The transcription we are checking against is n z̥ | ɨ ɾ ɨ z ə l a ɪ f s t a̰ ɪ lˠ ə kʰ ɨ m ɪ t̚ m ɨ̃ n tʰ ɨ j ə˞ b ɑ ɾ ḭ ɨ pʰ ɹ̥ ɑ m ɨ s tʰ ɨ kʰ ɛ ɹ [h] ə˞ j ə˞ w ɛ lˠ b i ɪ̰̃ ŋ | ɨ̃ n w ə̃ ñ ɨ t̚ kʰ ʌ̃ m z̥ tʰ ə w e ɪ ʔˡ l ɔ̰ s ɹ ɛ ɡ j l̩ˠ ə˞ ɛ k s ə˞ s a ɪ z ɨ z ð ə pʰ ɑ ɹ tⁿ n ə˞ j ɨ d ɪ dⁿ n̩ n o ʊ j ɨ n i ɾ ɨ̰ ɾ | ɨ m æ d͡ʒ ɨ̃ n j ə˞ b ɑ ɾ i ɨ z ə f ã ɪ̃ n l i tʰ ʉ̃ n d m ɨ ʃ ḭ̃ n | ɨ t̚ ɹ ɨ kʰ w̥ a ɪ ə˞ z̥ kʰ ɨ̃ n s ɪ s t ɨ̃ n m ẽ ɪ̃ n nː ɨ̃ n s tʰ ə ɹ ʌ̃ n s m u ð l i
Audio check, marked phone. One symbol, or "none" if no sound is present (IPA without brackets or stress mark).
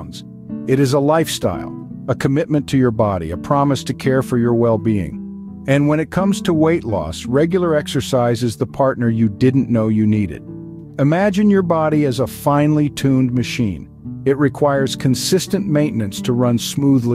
f